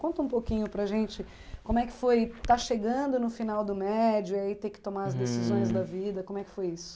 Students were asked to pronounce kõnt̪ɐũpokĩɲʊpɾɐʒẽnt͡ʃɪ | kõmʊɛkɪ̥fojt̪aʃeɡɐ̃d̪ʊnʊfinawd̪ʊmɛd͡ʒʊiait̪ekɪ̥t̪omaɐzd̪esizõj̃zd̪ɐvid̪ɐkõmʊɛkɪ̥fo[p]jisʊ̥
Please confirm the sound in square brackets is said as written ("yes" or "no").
no